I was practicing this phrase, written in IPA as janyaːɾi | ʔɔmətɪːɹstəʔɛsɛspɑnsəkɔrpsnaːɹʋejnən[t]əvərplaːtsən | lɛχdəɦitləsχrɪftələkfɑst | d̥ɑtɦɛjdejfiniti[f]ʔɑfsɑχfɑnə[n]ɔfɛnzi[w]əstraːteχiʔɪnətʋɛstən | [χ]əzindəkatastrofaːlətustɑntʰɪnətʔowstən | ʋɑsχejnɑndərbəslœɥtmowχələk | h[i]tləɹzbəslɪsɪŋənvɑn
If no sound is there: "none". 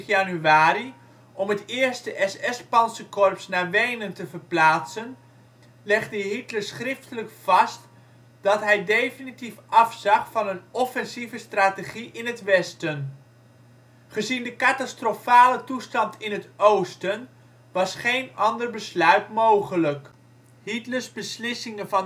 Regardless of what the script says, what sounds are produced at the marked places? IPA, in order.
t, f, n, v, χ, i

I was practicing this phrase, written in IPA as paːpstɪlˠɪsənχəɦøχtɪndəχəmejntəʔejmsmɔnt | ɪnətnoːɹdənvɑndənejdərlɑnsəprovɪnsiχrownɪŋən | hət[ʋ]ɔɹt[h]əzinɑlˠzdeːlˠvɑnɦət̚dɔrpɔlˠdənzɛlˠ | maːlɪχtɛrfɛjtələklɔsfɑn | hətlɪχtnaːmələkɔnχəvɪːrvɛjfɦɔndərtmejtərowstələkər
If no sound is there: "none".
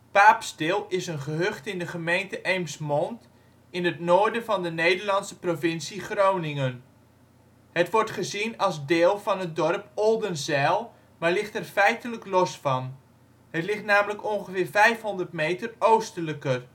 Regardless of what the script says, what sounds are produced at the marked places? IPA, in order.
ʋ, χ

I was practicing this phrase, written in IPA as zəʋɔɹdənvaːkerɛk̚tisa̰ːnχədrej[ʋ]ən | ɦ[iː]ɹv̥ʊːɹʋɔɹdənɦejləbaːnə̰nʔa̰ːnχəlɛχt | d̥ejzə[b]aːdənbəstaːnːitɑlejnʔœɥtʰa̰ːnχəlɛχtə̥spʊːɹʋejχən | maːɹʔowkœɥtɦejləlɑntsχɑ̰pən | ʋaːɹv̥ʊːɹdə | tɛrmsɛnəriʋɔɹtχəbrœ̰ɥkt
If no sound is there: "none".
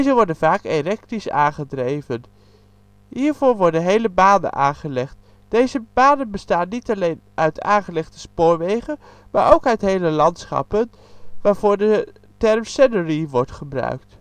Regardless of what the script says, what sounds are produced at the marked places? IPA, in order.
v, iː, b

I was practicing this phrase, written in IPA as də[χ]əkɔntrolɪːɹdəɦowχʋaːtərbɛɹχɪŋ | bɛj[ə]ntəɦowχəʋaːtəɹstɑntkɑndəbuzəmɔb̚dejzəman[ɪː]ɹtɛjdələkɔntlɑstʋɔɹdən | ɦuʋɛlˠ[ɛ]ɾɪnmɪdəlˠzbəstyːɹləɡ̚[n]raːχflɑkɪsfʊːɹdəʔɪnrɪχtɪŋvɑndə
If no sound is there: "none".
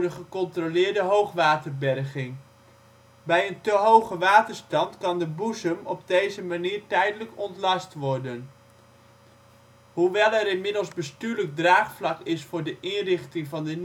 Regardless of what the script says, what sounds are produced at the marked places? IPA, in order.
χ, ə, iː, ɛ, d

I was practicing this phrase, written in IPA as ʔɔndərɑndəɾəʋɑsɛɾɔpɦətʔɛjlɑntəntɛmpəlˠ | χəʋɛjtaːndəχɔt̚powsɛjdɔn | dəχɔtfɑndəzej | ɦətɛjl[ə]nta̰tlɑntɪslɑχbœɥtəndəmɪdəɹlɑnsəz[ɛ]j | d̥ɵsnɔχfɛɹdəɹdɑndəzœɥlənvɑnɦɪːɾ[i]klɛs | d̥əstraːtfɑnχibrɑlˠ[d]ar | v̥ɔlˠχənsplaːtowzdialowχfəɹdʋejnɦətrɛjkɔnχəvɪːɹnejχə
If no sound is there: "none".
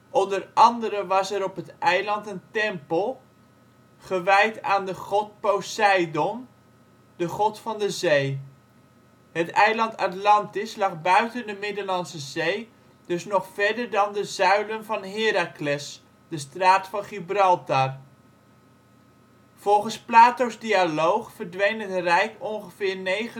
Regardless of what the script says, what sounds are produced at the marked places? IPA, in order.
ɑ, e, a, t

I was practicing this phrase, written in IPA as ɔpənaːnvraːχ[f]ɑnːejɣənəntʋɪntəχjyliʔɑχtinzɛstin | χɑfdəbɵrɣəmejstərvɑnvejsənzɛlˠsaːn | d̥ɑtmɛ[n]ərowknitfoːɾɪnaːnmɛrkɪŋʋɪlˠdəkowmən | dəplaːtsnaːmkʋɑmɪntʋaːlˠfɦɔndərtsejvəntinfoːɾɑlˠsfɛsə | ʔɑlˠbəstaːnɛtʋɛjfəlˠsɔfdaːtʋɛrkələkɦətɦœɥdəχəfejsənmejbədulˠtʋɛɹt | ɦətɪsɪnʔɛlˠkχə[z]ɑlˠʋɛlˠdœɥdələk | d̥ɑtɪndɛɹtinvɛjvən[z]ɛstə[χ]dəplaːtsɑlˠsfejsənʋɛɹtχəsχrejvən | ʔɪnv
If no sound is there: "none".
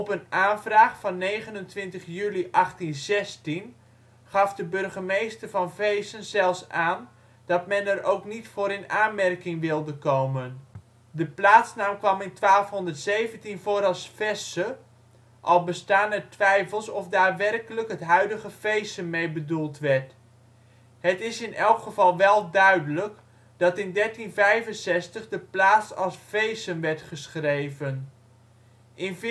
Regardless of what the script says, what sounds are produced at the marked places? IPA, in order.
f, n, v, s, χ

